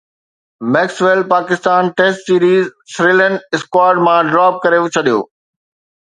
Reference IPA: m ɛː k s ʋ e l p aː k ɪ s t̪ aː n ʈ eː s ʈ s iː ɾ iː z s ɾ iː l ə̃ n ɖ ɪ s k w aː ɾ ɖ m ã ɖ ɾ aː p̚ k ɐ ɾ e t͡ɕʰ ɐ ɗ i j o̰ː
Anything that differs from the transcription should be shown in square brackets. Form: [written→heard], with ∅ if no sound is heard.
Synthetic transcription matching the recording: m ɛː k s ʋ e l p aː k ɪ s t̪ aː n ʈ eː s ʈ s iː ɾ iː z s ɾ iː l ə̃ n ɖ ɪ s k w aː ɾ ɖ m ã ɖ ɾ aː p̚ k ɐ ɾ e t͡ɕʰ ɐ ɗ i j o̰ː